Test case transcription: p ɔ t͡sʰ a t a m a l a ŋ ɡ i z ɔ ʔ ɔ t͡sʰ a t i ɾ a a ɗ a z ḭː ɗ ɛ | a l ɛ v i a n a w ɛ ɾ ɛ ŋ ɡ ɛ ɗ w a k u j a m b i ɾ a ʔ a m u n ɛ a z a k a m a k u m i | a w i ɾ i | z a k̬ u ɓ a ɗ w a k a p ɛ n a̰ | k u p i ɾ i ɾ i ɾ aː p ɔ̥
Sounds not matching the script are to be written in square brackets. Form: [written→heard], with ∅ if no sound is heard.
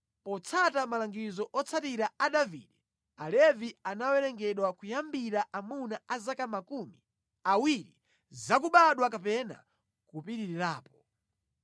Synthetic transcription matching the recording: p ɔ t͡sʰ a t a m a l a ŋ ɡ i z ɔ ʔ ɔ t͡sʰ a t i ɾ a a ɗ a [z→v] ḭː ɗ ɛ | a l ɛ v i a n a w ɛ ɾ ɛ ŋ ɡ ɛ ɗ w a k u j a m b i ɾ a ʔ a m u n [ɛ→a] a z a k a m a k u m i | a w i ɾ i | z a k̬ u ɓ a ɗ w a k a p ɛ n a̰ | k u p i ɾ i ɾ i ɾ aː p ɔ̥